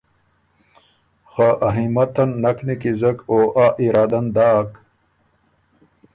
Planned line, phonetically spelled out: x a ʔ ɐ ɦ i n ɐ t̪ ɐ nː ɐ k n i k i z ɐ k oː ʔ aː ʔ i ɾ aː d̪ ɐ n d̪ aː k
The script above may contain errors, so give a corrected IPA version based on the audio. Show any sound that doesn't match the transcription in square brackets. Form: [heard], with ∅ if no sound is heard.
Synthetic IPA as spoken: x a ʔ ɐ ɦ i [m] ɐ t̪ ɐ nː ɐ k n i k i z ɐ k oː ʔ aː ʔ i ɾ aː d̪ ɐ n d̪ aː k